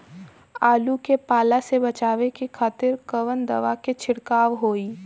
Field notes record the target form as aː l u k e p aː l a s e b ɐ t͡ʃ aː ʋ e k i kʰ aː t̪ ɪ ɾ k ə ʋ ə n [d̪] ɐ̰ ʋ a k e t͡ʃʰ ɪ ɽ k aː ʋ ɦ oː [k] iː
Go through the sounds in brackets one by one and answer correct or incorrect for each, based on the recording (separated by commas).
correct, incorrect